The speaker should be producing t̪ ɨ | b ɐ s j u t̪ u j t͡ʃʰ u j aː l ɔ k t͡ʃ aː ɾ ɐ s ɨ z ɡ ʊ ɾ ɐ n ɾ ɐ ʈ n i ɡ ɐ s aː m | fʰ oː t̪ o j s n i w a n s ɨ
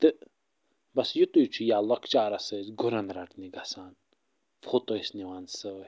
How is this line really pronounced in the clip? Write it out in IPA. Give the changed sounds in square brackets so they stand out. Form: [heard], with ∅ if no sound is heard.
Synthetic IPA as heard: t̪ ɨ | b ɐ s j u t̪ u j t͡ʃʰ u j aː l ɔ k t͡ʃ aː ɾ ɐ s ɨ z ɡ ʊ ɾ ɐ n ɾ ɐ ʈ n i ɡ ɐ s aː [n] | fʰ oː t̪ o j s n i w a n s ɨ